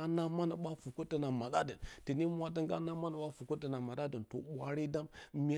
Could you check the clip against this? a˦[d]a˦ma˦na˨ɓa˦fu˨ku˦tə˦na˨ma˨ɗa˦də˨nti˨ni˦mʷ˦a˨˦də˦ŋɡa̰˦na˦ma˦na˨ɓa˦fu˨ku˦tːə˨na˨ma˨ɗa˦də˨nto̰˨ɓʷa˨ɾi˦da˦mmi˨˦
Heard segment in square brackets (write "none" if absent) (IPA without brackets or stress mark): n